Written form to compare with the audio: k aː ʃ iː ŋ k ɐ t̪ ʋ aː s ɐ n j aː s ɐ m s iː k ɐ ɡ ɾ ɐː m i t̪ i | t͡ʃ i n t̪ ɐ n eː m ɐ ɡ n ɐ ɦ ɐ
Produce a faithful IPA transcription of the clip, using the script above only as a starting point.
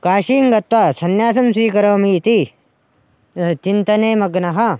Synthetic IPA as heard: k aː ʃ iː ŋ ɡ ɐ t̪ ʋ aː s ɐ n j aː s ɐ m s iː k ɐ ɾ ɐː m i t̪ i | t͡ʃ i n t̪ ɐ n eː m ɐ ɡ n ɐ ɦ ɐ